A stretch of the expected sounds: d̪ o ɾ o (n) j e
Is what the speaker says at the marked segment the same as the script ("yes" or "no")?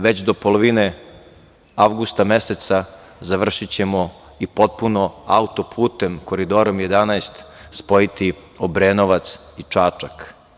no